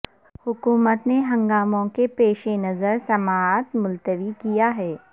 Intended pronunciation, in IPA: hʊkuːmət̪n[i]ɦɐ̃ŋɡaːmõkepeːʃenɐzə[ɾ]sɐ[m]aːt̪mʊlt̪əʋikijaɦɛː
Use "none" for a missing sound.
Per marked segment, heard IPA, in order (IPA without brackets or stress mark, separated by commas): e, ɾ, m